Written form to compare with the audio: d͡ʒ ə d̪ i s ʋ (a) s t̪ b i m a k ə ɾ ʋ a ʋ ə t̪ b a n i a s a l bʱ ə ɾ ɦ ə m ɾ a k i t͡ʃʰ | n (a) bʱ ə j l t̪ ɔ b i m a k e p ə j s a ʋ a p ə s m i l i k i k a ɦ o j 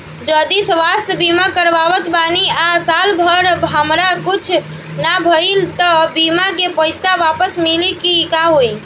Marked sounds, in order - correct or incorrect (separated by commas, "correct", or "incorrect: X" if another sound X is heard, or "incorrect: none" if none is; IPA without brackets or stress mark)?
correct, correct